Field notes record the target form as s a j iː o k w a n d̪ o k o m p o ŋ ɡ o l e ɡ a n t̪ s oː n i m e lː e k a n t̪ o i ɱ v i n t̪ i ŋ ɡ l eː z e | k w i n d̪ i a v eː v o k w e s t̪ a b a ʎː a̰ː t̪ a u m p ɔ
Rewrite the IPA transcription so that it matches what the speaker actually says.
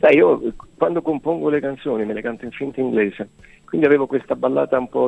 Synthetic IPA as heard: s a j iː o k w a n d̪ o k o m p o ŋ ɡ o l e k a n t̪ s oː n i m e l e k a n t̪ o i ɱ f i n t̪ i ŋ ɡ l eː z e | k w i n d̪ i a v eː v o k w e s t̪ a b a lː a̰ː t̪ a u m p ɔ